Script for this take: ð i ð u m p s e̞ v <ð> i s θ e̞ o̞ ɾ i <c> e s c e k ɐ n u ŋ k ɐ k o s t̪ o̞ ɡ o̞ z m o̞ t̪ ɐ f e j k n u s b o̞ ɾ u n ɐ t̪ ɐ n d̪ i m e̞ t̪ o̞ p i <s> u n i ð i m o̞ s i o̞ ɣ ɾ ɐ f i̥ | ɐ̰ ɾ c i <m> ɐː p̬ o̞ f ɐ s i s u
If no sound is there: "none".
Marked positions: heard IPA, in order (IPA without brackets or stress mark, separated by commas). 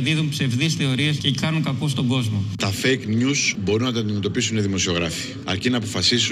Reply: ð, none, s, n